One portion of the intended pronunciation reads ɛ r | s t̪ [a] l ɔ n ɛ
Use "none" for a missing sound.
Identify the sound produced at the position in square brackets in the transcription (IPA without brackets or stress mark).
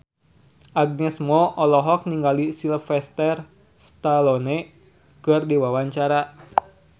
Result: a